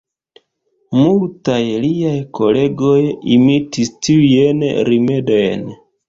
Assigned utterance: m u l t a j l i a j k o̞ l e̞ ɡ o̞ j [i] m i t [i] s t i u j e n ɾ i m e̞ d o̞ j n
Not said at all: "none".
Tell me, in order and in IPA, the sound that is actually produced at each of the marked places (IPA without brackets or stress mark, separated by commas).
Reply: i, i